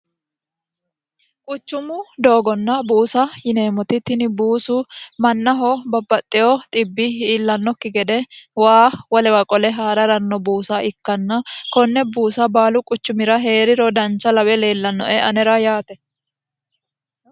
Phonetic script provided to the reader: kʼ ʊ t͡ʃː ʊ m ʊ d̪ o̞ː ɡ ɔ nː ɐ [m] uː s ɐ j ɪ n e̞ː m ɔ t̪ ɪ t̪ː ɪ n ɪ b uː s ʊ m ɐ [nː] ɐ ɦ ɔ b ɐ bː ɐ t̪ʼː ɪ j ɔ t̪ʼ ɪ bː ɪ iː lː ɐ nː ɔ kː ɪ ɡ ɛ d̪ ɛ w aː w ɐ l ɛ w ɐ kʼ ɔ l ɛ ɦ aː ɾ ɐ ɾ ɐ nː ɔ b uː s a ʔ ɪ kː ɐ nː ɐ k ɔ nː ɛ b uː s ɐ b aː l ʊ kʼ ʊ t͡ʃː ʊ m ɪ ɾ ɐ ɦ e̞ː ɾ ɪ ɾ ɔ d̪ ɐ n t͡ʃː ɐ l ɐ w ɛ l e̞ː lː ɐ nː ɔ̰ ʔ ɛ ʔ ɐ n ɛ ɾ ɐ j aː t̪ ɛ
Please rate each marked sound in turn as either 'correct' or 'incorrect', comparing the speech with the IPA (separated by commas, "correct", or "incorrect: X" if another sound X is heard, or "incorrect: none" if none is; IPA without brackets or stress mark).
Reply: incorrect: b, correct